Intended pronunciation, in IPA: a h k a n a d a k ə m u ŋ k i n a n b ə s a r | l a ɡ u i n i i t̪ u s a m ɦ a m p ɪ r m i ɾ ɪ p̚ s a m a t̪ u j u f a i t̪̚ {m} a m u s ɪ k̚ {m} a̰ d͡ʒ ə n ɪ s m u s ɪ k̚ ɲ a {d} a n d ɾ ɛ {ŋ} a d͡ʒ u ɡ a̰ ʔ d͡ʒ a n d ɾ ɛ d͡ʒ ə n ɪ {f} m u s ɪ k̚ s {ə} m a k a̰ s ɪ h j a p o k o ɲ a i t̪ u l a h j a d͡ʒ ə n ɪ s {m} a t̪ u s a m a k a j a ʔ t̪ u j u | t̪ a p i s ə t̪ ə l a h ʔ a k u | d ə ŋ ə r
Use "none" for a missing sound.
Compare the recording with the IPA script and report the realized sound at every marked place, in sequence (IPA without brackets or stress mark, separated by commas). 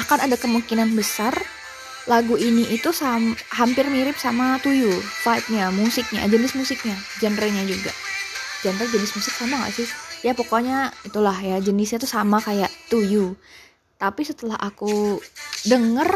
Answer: ɲ, ɲ, d͡ʒ, ɲ, s, a, ɲ